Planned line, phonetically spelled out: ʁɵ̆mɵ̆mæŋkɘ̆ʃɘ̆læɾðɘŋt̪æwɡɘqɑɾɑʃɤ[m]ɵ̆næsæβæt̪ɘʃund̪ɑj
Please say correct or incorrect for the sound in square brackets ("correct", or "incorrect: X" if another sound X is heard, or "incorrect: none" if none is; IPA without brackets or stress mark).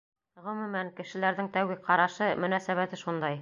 correct